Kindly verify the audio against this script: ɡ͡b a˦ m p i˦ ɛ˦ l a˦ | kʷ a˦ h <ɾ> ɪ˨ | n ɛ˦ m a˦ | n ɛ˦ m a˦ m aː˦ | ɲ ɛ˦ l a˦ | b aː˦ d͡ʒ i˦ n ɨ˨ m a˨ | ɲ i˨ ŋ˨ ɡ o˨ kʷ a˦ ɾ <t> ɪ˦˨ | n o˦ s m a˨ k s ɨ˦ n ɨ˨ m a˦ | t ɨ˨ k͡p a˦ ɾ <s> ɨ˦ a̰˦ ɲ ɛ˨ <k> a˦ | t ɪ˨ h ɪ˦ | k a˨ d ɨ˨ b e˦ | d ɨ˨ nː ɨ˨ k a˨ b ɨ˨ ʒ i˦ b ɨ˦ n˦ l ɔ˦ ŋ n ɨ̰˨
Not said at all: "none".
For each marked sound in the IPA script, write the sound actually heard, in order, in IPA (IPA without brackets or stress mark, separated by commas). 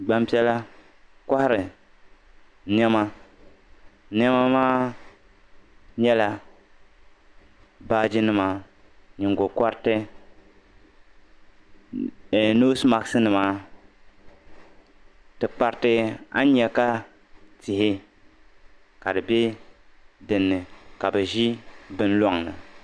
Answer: ɾ, t, t, k